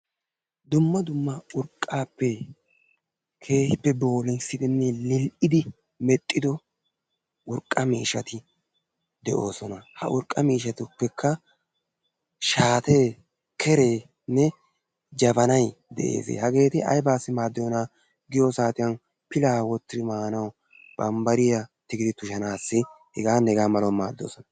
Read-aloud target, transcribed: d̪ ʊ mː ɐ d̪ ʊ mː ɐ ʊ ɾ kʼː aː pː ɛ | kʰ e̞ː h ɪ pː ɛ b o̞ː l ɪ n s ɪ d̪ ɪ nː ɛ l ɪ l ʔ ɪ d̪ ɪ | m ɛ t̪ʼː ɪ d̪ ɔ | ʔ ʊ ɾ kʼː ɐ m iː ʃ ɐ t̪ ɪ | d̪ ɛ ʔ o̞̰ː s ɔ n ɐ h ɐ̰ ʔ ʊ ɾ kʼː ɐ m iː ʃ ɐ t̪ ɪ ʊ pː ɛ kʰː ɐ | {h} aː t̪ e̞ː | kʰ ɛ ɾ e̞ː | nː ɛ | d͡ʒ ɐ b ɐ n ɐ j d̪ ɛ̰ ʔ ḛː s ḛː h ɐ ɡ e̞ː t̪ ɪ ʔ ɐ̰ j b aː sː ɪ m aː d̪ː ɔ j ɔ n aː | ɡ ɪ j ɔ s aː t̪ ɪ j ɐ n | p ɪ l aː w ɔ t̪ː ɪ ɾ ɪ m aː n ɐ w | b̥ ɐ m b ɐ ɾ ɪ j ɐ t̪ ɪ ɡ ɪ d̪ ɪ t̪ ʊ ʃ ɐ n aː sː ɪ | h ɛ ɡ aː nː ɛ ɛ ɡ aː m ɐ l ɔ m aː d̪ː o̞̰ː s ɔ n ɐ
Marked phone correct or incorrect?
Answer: incorrect